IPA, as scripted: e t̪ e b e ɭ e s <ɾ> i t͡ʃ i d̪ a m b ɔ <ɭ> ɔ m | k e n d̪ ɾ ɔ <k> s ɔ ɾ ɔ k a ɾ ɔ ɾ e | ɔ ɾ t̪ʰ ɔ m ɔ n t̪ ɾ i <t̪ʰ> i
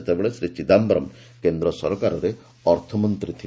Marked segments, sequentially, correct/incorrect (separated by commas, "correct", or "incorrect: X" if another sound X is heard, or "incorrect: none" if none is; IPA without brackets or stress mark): correct, incorrect: ɾ, incorrect: none, correct